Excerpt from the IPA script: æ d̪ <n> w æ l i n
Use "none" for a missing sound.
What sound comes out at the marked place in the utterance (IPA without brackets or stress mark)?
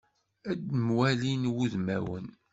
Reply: m